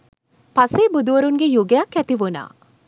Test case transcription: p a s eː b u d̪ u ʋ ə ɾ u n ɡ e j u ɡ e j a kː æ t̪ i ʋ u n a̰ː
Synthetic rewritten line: p a s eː b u d̪ u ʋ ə ɾ u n ɡ e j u ɡ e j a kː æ t̪ i ʋ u n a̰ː